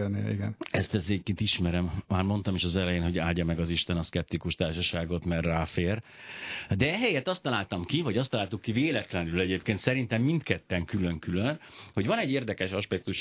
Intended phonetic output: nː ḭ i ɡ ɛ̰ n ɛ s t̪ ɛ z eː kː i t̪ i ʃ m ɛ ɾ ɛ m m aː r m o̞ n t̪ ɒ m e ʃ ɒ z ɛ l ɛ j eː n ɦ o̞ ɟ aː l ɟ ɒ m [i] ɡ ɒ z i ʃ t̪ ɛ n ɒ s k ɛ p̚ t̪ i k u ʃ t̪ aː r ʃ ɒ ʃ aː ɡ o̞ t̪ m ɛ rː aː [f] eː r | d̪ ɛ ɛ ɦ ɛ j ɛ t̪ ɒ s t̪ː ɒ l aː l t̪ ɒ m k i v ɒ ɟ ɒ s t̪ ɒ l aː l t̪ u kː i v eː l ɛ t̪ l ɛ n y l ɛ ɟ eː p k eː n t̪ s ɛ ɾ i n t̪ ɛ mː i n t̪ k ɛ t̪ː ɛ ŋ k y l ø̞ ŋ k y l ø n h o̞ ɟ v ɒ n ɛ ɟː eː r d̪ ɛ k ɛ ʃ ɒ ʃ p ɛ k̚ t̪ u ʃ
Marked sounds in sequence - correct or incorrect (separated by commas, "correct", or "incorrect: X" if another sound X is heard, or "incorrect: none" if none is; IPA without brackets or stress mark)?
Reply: incorrect: ɛ, correct